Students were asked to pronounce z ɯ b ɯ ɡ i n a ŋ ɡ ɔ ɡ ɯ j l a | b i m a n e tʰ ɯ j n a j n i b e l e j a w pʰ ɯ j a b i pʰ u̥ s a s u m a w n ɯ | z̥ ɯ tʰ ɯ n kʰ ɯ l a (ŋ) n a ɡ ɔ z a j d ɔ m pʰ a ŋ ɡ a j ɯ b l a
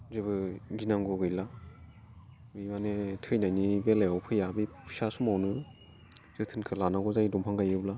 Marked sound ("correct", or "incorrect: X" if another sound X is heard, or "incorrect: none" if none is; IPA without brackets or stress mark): incorrect: none